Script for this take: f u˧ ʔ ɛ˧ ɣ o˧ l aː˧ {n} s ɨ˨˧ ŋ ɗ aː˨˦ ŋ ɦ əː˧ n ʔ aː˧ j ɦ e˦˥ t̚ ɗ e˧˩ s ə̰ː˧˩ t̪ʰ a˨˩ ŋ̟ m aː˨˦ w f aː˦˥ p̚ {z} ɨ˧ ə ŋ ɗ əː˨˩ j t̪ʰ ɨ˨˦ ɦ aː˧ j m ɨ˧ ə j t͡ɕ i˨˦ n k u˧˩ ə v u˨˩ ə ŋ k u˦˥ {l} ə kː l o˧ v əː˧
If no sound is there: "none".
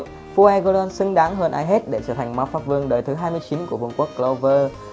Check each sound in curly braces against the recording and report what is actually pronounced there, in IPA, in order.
n, v, none

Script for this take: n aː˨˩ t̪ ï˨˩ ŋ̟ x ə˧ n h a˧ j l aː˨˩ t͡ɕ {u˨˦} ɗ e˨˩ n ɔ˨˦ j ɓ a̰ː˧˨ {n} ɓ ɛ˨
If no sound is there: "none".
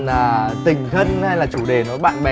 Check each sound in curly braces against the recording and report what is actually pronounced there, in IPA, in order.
u˧˩, n

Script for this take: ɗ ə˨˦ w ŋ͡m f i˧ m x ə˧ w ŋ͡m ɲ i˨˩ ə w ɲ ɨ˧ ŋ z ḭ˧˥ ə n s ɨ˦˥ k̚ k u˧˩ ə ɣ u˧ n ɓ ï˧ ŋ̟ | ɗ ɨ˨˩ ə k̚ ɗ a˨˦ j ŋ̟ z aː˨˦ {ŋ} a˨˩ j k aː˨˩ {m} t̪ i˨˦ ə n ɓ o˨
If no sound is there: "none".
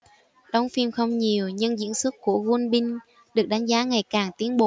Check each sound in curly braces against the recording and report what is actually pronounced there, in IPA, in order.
ŋ, ŋ

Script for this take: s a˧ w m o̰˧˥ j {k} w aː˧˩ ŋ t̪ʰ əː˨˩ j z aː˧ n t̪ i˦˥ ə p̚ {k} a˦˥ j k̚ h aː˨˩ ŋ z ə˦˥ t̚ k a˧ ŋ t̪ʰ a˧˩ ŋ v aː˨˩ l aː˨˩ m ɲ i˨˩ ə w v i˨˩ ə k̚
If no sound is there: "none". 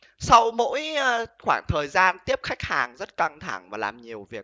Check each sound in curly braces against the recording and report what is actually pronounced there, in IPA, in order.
x, x

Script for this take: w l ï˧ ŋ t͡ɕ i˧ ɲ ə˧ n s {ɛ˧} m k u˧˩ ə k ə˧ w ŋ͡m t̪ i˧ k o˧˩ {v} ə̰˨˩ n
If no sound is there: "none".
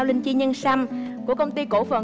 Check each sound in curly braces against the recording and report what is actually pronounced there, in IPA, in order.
a˧, f

